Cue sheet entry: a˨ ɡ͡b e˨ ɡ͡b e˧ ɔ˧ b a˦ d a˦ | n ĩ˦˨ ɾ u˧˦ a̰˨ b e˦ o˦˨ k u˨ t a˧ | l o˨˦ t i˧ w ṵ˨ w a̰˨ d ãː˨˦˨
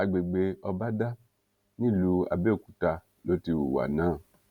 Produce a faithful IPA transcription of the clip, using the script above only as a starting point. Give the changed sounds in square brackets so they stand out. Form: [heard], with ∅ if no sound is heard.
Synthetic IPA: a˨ ɡ͡b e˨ ɡ͡b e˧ ɔ˧ b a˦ d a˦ | n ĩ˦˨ [l] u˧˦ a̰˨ b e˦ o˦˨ k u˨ t a˧ | l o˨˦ t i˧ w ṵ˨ w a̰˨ [n] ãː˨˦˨